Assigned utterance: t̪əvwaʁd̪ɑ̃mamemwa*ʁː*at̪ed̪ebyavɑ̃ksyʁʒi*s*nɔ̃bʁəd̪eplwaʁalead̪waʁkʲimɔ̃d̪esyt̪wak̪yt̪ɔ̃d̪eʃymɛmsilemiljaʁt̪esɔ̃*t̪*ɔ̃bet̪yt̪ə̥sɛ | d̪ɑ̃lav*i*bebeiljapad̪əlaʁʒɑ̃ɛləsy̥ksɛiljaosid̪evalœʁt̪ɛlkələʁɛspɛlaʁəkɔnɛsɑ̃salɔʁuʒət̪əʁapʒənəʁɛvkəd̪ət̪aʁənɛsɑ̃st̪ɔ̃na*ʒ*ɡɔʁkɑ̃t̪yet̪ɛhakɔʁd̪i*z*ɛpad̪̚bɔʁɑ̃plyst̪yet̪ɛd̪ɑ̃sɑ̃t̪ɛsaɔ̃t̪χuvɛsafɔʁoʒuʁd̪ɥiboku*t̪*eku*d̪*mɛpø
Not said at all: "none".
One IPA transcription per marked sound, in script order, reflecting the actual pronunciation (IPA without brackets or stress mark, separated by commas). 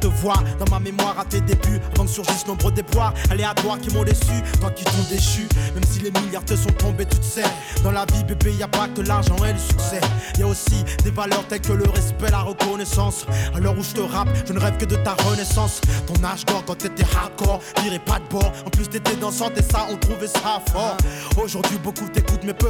ʁ, s, t̪, i, ʒ, ʁ, t̪, t̪